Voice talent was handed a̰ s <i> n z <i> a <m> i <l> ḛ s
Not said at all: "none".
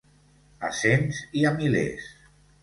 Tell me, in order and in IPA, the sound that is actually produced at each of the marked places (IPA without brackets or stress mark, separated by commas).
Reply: e, i, m, l